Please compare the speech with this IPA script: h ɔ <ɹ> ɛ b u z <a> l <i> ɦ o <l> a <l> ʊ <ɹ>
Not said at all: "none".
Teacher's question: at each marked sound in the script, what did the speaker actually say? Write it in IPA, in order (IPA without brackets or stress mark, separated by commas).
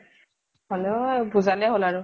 l, a, ɛ, l, ɹ, none